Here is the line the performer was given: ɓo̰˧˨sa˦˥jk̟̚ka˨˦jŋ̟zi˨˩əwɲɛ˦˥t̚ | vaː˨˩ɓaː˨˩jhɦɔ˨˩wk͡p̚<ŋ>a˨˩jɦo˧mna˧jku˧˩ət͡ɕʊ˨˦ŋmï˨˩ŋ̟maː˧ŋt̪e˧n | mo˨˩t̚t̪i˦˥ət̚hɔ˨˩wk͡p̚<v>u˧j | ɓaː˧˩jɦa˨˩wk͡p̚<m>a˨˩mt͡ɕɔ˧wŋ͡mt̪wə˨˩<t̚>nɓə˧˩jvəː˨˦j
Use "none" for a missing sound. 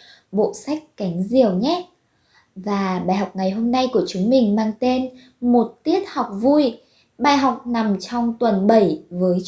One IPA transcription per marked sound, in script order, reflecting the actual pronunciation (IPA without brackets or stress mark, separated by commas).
ŋ, v, n, none